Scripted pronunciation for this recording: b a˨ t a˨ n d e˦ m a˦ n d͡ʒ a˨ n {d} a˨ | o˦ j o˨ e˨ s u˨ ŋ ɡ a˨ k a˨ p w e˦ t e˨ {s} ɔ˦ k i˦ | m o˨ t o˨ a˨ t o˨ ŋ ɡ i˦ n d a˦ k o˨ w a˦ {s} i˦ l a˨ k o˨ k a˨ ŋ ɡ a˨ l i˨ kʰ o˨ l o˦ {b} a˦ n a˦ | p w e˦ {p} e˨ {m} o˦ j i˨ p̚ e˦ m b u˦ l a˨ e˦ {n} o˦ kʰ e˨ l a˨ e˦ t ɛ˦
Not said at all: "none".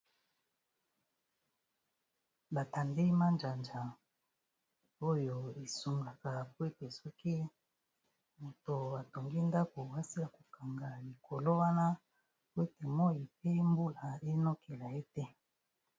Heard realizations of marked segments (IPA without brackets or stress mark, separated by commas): d͡ʒ, s, s, w, t, m, n